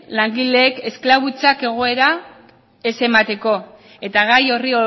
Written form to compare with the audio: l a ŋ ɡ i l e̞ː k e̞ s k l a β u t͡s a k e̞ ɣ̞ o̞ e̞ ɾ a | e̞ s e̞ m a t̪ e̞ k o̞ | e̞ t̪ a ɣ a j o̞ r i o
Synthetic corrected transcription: l a ŋ ɡ i l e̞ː k e̞ s k l a β u t͡s a k e̞ ɣ̞ o̞ e̞ ɾ a | e̞ s e̞ m a t̪ e̞ k o̞ | e̞ t̪ a ɣ a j o̞ r i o